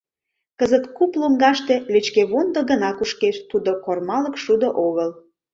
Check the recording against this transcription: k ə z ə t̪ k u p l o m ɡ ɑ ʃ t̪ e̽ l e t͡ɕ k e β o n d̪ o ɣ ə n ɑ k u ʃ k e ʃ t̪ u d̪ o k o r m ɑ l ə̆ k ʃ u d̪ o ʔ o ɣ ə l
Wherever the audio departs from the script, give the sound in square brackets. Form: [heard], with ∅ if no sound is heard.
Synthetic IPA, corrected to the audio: k ə z ə t̪ k u p l o [ŋ] ɡ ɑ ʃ t̪ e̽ l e t͡ɕ k e β o n d̪ o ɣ ə n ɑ k u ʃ k e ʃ t̪ u d̪ o k o r m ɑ l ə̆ k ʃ u d̪ o ʔ o ɣ ə l